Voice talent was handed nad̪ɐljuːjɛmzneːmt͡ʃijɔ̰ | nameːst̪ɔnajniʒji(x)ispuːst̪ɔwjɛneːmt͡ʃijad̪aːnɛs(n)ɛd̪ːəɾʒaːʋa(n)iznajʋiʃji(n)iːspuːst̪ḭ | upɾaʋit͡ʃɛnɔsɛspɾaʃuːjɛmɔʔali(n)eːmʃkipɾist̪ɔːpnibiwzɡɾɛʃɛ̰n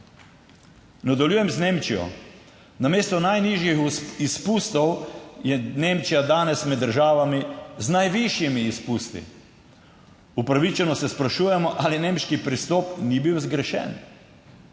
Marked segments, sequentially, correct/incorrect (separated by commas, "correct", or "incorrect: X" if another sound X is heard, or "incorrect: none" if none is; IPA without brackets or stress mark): correct, incorrect: m, incorrect: m, incorrect: m, correct